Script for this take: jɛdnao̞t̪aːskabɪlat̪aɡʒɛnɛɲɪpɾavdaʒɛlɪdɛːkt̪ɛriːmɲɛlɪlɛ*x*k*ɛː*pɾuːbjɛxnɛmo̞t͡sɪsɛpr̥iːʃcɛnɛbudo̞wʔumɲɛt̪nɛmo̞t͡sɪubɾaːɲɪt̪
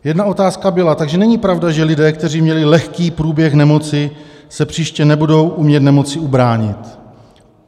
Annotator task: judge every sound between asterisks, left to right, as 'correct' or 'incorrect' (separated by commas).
correct, incorrect